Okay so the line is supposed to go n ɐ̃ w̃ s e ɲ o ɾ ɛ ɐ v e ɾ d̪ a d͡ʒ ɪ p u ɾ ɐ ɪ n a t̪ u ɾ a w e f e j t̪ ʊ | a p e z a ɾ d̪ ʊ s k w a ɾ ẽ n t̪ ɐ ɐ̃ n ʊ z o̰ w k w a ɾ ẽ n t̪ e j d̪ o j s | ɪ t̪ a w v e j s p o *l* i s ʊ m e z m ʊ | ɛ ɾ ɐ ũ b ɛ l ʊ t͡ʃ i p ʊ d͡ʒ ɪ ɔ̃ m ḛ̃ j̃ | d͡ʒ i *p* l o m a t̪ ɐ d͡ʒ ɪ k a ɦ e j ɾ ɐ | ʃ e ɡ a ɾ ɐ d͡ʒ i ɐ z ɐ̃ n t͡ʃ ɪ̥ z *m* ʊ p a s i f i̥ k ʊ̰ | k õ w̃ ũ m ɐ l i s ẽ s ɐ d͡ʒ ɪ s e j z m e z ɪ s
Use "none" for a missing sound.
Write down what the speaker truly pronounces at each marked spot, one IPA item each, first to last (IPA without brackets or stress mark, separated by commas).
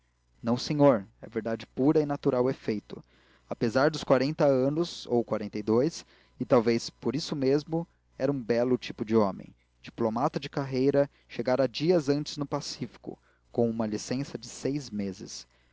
ɾ, p, n